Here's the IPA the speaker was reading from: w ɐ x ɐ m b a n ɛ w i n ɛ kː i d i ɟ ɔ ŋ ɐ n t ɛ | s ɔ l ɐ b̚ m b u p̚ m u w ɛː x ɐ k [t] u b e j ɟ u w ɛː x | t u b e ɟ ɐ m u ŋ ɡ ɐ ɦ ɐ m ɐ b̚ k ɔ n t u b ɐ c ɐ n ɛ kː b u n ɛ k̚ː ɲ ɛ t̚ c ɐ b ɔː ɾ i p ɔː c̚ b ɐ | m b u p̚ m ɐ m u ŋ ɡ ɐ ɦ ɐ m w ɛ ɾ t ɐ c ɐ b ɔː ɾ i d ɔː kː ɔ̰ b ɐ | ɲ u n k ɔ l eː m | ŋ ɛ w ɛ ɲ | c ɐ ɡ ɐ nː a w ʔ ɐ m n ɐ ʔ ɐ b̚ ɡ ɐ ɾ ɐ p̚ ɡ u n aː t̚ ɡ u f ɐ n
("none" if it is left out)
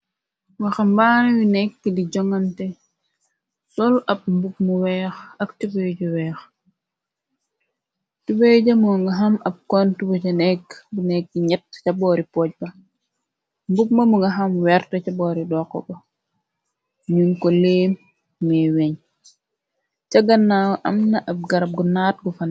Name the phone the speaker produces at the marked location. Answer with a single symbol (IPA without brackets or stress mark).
t